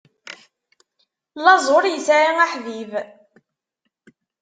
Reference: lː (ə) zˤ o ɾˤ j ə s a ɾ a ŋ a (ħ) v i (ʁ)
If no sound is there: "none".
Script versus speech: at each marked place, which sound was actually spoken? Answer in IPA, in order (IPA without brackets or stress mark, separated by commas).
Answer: ɑ, ħ, v